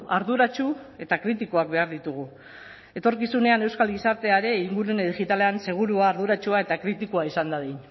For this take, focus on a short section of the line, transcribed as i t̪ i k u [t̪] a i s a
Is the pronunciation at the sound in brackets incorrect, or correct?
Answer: incorrect